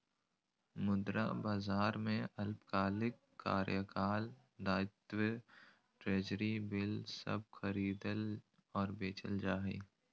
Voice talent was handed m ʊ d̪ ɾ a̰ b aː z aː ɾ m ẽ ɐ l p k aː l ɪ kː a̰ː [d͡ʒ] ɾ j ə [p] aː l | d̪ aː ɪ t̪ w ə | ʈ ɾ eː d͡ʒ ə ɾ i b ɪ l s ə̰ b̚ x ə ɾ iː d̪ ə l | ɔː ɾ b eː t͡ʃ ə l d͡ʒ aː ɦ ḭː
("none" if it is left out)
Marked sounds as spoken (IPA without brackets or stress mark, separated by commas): none, k